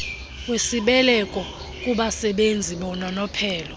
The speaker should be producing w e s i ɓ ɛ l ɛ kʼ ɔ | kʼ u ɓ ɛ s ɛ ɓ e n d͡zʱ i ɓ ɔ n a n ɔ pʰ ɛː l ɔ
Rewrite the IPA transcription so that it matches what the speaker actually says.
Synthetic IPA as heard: w e s i ɓ ɛ l ɛ kʼ ɔ | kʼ u ɓ a s ɛ ɓ e n d͡zʱ i ɓ ɔ n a n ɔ pʰ ɛː l ɔ